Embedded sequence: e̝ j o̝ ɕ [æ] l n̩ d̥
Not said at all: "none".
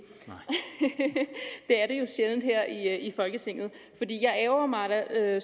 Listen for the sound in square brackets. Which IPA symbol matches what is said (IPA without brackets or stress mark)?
e